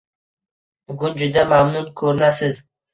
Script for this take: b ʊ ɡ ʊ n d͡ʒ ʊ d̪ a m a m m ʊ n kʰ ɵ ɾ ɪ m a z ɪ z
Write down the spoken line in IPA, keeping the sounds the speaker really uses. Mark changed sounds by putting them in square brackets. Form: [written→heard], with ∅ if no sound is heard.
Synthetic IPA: b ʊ ɡ ʊ n d͡ʒ ʊ d̪ a m a m [m→n] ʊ n kʰ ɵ ɾ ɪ [m→n] a [z→s] ɪ z